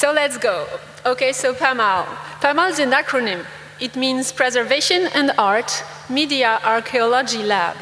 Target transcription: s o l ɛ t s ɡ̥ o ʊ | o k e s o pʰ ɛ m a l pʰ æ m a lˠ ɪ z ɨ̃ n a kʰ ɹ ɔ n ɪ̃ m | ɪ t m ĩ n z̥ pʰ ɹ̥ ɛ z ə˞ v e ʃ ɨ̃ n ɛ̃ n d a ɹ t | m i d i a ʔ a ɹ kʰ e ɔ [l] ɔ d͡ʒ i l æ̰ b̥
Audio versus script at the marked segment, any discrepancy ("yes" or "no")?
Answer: no